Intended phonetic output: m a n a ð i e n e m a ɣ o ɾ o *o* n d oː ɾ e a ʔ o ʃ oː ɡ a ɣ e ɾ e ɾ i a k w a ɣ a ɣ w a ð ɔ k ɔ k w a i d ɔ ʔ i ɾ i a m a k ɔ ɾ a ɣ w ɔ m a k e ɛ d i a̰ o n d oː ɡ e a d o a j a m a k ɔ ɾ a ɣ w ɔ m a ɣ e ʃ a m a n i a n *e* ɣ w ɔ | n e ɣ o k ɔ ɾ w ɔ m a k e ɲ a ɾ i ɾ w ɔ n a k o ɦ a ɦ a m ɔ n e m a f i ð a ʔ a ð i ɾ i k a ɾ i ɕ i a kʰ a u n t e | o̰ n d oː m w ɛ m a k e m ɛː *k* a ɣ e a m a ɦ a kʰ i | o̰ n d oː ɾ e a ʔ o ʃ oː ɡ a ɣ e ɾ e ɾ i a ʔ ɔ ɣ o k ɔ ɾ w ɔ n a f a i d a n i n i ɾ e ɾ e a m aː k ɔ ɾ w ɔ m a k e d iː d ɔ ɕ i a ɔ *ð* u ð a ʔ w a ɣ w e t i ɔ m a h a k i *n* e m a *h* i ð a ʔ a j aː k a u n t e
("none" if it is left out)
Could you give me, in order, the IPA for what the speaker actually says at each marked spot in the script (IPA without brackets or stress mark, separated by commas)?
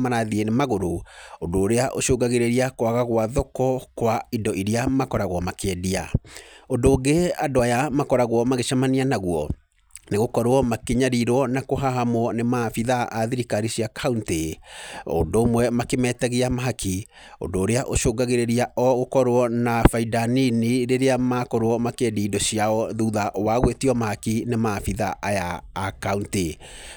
o, a, t, ð, n, f